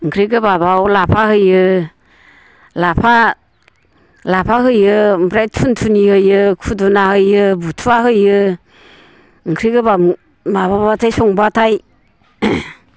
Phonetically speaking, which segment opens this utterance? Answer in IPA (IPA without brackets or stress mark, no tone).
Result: ŋ